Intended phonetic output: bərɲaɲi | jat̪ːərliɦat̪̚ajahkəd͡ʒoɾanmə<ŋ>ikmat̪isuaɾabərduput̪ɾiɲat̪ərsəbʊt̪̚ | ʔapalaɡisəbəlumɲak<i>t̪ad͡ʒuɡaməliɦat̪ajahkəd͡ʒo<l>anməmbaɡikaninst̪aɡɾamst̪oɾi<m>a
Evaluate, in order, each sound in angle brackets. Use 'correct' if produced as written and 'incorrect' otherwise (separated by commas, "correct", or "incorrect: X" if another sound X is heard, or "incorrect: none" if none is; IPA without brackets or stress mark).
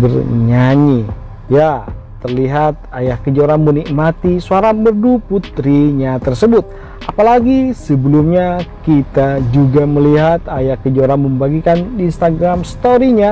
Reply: incorrect: n, correct, incorrect: ɾ, incorrect: ɲ